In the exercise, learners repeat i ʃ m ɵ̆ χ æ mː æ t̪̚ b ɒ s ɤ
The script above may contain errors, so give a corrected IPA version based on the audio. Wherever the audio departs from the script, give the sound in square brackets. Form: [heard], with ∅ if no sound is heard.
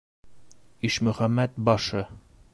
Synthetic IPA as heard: i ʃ m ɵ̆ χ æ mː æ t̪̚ b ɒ [ʃ] ɤ